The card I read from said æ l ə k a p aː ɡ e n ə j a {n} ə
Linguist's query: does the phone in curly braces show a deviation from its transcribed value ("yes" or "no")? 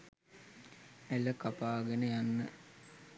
yes